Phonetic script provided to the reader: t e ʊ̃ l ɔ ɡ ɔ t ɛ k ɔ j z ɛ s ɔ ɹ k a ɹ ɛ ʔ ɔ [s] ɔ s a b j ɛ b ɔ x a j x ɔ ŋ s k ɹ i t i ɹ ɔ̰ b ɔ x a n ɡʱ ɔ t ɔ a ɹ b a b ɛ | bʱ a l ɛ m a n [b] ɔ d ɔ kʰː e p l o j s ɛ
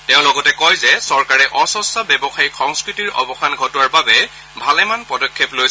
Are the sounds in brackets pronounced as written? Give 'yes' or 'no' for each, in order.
yes, no

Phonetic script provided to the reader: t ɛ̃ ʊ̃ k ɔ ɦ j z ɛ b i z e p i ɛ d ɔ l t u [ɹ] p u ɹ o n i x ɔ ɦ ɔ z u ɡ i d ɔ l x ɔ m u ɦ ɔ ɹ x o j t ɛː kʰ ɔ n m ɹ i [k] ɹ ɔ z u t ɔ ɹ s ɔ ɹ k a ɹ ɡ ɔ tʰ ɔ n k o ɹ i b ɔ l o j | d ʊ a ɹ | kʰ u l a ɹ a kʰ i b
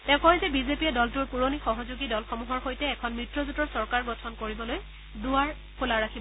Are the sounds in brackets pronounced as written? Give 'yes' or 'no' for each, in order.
yes, no

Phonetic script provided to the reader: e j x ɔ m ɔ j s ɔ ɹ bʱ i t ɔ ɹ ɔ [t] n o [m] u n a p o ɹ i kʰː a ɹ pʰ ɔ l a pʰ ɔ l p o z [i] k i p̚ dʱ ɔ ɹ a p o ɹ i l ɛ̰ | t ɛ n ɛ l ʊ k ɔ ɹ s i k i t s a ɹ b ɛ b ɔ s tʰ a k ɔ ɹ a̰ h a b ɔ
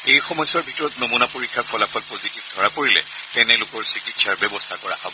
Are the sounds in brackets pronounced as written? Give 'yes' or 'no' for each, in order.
yes, yes, yes

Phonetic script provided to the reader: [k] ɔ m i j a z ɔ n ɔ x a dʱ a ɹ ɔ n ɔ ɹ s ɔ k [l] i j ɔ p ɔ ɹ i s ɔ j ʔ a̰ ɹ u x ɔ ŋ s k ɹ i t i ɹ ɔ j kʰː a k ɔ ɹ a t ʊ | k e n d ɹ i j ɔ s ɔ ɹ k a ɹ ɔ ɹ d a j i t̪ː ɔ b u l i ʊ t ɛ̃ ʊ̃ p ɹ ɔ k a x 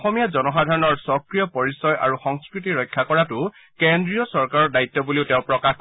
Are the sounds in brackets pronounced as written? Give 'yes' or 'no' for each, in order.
no, no

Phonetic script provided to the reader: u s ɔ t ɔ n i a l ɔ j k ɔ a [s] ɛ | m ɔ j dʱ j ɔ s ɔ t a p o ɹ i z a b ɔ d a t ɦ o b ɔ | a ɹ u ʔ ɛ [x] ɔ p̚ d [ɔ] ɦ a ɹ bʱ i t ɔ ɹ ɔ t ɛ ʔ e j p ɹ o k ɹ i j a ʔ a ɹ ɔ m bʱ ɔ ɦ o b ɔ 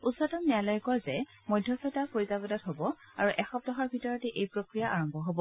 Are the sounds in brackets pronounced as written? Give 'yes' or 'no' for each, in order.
no, yes, yes

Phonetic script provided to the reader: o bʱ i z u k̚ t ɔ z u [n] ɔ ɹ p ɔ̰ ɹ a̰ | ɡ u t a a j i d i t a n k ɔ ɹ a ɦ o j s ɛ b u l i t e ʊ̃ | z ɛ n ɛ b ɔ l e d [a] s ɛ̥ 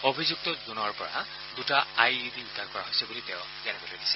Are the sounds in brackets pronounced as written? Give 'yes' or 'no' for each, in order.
yes, no

